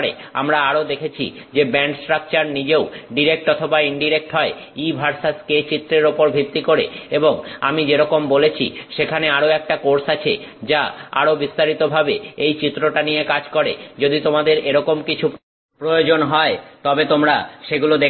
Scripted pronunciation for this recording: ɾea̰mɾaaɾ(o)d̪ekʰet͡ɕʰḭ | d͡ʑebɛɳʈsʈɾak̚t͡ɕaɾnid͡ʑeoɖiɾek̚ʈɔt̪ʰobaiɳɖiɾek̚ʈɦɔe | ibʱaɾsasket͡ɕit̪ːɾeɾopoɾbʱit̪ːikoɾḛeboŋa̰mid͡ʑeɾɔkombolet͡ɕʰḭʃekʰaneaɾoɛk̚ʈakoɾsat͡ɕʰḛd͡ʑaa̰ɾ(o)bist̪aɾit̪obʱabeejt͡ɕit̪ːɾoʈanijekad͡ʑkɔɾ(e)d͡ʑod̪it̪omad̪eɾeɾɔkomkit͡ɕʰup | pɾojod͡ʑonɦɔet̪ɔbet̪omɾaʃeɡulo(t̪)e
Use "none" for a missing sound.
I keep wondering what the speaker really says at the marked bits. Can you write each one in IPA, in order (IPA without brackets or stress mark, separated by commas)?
o, o, e, d̪